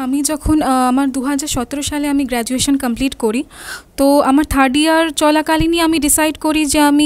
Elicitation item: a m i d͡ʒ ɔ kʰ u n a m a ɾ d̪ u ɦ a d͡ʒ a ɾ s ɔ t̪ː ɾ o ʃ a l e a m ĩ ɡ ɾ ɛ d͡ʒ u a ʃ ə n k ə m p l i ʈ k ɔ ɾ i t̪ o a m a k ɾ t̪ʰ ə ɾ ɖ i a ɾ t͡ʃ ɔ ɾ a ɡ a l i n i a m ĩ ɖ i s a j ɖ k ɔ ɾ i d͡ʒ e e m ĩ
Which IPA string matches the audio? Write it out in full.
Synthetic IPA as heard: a m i d͡ʒ ɔ kʰ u n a m a ɾ d̪ u ɦ a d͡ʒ a ɾ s ɔ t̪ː ɾ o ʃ a l e a m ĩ ɡ ɾ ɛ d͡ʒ u e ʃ ə n k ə m p l i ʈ k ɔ ɾ i t̪ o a m a ɾ t̪ʰ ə ɾ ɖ i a ɾ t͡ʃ ɔ l a k a l i n i a m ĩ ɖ i s a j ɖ k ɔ ɾ i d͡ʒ e a m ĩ